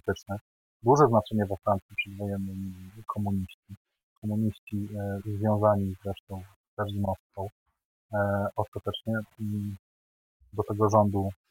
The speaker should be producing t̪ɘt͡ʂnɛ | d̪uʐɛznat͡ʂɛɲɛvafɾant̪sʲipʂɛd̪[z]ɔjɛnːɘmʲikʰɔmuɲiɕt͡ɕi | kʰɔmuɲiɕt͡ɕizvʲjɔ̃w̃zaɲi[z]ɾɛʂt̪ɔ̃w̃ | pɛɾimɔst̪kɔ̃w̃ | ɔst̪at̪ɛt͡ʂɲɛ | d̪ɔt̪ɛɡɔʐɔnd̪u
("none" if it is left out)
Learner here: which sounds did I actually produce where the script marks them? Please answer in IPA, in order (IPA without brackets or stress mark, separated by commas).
v, z